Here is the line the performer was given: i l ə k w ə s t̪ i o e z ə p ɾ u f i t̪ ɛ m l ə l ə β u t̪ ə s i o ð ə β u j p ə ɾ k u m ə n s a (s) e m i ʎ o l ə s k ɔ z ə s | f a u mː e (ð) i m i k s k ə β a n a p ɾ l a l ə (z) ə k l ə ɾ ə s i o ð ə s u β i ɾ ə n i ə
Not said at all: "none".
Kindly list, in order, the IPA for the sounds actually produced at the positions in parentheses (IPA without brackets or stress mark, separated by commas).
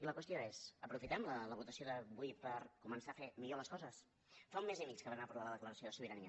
f, z, ð